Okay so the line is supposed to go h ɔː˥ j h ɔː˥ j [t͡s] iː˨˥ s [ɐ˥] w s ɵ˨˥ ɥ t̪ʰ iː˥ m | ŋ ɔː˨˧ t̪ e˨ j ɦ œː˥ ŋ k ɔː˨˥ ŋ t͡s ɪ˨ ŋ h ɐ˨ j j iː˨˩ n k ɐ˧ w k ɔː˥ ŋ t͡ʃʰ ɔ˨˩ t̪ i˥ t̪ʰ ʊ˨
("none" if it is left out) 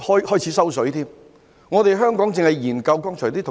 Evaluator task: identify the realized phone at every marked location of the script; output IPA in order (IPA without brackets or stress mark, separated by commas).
t͡sʰ, ɐ˥